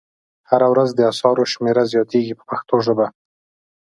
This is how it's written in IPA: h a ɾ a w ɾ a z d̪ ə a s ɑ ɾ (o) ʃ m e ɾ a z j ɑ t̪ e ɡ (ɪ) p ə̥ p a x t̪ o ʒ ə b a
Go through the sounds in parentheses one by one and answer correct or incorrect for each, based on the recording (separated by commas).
correct, incorrect